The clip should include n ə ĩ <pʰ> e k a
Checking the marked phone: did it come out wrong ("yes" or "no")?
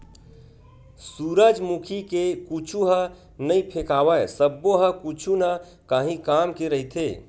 no